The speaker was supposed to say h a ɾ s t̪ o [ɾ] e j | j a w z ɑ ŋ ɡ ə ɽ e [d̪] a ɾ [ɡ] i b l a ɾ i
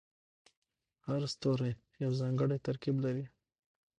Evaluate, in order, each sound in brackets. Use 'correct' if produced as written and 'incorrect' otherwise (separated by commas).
correct, incorrect, incorrect